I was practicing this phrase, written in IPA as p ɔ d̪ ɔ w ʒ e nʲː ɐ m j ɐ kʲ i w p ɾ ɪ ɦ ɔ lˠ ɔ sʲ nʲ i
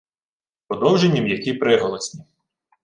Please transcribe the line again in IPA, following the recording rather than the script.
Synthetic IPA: p ɔ d̪ ɔ w ʒ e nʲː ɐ m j ɐ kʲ i p ɾ ɪ ɦ ɔ lˠ ɔ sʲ nʲ i

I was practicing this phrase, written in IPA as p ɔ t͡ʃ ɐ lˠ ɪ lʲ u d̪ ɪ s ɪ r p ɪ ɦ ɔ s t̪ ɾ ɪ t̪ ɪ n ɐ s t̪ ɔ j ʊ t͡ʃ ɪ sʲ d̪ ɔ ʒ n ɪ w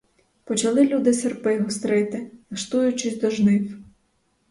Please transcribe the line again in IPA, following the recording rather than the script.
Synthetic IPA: p ɔ t͡ʃ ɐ lˠ ɪ lʲ u d̪ ɪ s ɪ r p ɪ ɦ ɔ s t̪ ɾ ɪ t̪ ɪ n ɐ ʃ t̪ u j ʊ t͡ʃ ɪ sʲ d̪ ɔ ʒ n ɪ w

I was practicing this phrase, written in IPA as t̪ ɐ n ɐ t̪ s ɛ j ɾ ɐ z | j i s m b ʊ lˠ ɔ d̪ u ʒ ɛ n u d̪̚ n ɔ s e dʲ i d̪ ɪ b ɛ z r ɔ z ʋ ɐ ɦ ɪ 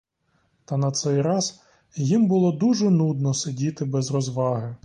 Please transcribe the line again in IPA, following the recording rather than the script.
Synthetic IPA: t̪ ɐ n ɐ t̪ s ɛ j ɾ ɑ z | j i m b ʊ lˠ ɔ d̪ u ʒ ɛ n u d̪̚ n ɔ s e dʲ i t̪ ɪ b ɛ z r ɔ z ʋ ɑ ɦ ɪ

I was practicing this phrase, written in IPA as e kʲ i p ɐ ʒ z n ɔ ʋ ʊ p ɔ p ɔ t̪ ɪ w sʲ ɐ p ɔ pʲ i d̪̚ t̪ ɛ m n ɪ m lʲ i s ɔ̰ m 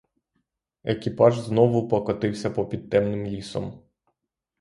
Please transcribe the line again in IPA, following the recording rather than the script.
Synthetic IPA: e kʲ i p ɑ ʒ z n ɔ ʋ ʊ p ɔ k ɔ t̪ ɪ w sʲ ɐ p ɔ pʲ i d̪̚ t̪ ɛ m n ɪ m lʲ i s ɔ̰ m

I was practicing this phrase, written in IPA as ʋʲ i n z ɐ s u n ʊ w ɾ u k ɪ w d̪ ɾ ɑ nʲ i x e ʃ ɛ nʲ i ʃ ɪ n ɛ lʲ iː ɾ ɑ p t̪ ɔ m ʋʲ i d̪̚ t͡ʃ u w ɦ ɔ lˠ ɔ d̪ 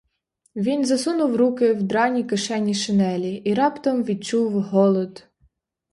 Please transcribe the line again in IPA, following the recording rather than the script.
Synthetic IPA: ʋʲ i n z ɐ s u n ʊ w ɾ u k ɪ w d̪ ɾ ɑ nʲ i k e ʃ ɛ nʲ i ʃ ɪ n ɛ lʲ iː ɾ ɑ p t̪ ɔ m ʋʲ i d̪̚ t͡ʃ u w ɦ ɔ lˠ ɔ d̪

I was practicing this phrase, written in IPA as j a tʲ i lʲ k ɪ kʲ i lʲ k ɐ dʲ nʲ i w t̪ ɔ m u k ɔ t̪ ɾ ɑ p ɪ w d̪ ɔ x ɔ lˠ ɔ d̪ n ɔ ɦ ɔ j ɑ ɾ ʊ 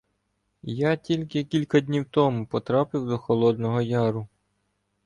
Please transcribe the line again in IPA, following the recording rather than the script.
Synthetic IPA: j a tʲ i lʲ k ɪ kʲ i lʲ k ɐ dʲ nʲ i w t̪ ɔ m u p ɔ t̪ ɾ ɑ p ɪ w d̪ ɔ x ɔ lˠ ɔ d̪ n ɔ ɦ ɔ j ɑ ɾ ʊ

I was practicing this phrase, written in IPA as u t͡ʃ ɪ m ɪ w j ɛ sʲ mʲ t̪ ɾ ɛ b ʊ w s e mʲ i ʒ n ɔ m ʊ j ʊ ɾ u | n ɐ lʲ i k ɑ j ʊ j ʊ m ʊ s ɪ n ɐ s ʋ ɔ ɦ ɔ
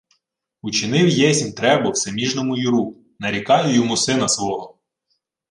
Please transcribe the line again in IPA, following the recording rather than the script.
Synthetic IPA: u t͡ʃ ɪ n ɪ w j ɛ sʲ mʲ t̪ ɾ ɛ b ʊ w s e mʲ i ʒ n ɔ m ʊ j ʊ ɾ u | n ɐ ɾʲ i k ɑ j ʊ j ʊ m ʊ s ɪ n ɐ s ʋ ɔ ɦ ɔ

